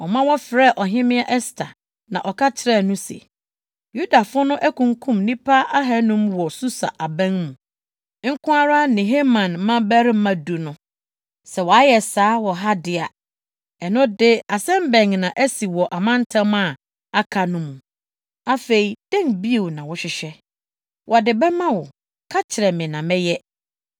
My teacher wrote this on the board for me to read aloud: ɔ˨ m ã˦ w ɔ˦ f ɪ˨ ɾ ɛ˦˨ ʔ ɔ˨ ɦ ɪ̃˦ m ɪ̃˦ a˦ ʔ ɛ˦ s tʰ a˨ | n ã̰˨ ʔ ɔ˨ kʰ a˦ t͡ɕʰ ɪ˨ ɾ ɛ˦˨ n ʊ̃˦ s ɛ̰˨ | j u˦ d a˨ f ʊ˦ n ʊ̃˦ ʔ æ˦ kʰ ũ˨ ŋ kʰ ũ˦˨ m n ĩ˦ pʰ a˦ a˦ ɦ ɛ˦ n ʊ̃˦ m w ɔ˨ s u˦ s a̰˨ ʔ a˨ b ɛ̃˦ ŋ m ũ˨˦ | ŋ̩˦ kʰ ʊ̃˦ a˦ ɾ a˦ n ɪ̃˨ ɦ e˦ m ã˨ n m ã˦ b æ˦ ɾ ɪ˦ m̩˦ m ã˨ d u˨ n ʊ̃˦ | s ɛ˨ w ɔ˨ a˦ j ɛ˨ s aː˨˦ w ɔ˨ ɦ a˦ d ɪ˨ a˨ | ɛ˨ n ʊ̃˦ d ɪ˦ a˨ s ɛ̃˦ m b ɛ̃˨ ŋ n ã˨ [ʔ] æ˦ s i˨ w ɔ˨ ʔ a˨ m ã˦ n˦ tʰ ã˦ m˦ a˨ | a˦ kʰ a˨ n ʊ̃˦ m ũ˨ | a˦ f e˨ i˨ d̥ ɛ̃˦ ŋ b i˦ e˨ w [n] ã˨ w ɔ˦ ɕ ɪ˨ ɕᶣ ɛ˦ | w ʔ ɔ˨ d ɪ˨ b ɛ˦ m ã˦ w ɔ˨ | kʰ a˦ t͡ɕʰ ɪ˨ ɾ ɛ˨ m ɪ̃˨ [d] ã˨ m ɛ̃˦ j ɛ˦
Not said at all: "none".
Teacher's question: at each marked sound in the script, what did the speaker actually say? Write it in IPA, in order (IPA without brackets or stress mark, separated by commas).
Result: ʔ, n, n